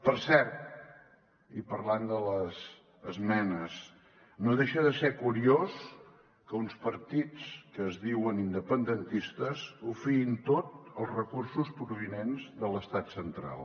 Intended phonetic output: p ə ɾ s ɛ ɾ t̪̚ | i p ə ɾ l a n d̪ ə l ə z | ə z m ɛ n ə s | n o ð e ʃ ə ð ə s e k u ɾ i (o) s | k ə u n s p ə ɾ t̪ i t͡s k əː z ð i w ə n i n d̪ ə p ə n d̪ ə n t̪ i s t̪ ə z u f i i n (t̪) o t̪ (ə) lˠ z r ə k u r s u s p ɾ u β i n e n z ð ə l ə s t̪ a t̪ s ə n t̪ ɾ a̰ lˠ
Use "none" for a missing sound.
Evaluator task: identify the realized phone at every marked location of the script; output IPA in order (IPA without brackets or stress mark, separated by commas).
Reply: o, t̪, ə